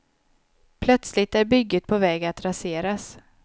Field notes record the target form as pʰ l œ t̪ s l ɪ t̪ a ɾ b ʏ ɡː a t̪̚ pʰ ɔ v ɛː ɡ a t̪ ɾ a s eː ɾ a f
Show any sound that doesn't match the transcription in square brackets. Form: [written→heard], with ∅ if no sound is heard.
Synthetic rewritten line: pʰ l œ t̪ s l ɪ t̪ [a→æ] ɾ b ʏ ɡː [a→ə] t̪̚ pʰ ɔ v ɛː ɡ a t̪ ɾ a s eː ɾ a [f→s]